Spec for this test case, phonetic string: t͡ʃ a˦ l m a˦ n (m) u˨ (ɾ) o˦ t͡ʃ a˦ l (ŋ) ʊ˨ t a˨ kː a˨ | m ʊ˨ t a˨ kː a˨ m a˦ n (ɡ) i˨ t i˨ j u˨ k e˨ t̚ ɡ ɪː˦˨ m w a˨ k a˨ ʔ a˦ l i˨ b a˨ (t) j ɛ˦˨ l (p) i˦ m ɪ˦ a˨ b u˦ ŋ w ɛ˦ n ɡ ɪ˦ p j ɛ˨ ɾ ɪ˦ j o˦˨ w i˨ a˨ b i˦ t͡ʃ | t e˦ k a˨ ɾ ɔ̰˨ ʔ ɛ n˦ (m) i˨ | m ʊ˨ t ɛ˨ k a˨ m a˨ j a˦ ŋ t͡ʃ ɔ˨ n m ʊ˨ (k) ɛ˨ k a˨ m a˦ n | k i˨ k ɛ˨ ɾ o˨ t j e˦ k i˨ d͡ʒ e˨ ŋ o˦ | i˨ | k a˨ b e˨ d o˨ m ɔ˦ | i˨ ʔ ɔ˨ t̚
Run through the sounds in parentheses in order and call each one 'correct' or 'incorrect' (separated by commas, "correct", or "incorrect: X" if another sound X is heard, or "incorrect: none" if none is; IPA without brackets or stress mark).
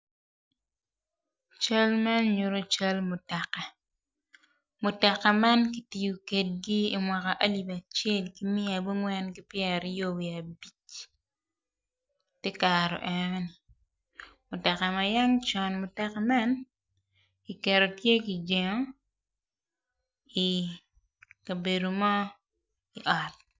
incorrect: ɲ, correct, incorrect: m, incorrect: k, incorrect: t͡ʃ, incorrect: k, incorrect: n, incorrect: t